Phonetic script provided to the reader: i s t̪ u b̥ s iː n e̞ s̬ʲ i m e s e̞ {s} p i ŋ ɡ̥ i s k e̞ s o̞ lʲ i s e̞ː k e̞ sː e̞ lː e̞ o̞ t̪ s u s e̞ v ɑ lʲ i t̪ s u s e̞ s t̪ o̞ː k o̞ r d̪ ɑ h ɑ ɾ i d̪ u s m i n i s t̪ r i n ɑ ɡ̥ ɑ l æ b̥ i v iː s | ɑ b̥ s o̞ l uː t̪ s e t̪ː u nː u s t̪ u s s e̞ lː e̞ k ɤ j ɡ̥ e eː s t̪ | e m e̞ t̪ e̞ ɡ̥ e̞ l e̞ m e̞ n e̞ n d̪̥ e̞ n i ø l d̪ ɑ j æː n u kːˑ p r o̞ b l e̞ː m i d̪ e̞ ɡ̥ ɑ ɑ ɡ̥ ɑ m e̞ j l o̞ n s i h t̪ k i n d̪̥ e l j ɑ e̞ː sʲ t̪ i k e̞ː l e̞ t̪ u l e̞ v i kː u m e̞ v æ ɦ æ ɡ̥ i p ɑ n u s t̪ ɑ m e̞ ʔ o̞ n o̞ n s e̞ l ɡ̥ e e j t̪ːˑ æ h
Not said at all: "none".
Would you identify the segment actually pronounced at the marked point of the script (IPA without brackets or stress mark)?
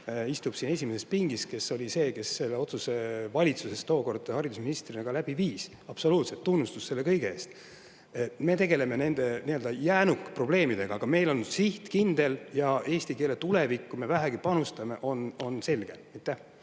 s